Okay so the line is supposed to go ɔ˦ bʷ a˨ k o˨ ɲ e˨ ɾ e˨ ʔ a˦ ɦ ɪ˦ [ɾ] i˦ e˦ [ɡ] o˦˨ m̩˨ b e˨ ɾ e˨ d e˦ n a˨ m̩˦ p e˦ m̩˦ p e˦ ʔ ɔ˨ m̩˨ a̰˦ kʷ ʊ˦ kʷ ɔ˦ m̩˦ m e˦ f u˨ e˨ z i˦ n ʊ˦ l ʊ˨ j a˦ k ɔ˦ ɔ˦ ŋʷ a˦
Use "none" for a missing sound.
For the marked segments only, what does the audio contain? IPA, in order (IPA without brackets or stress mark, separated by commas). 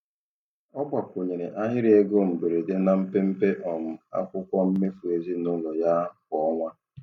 ɾ, ɡ